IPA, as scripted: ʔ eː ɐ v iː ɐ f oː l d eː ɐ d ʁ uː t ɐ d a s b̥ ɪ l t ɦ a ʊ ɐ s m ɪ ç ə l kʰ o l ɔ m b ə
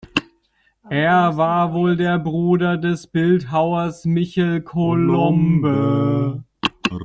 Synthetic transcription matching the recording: ʔ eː ɐ v aː ɐ v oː l d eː ɐ b ʁ uː d ɐ d ɛ s b̥ ɪ l t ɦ a ʊ ɐ s m ɪ ç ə l kʰ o l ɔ m b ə

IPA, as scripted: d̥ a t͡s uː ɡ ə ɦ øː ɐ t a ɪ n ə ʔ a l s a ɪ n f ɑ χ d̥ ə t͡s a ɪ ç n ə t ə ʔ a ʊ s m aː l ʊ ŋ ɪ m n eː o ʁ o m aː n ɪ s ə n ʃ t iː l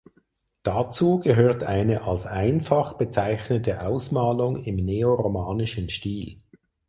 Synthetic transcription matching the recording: d̥ a t͡s uː ɡ ə ɦ øː ɐ t a ɪ n ə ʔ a l s a ɪ n f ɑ χ b̥ ə t͡s a ɪ ç n ə t ə ʔ a ʊ s m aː l ʊ ŋ ɪ m n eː o ʁ o m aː n ɪ ʃ ə n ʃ t iː l

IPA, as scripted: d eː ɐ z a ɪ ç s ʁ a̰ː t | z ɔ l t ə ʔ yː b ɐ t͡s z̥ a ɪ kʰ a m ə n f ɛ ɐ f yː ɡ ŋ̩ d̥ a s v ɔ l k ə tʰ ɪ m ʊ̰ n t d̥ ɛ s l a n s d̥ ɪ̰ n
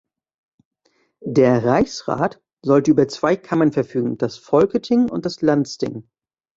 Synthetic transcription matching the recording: d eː ɐ ʁ a ɪ ç s ʁ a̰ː t | z ɔ l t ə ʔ yː b ɐ t͡s v̥ a ɪ kʰ a m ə n f ɛ ɐ f yː ɡ ŋ̩ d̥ a s f ɔ l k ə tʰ ɪ ŋ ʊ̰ n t d̥ a s l a n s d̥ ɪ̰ ŋ

